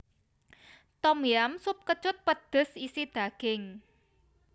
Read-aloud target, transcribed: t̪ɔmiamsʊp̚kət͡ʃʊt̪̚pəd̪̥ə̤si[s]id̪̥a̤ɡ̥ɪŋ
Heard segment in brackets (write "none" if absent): s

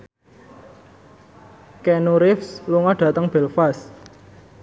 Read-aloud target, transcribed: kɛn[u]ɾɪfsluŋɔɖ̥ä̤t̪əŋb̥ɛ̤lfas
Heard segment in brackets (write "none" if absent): u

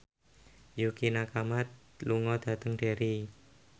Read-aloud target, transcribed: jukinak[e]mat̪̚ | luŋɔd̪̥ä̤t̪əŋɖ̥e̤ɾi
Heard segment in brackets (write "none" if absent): a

